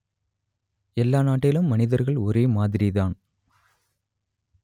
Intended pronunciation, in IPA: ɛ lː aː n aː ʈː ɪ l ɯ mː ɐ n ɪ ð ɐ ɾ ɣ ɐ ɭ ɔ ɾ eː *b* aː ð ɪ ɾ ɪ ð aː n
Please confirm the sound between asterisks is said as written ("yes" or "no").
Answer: no